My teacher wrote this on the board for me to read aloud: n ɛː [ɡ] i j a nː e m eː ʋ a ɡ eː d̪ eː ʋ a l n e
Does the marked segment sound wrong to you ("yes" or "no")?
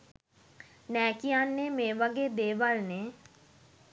yes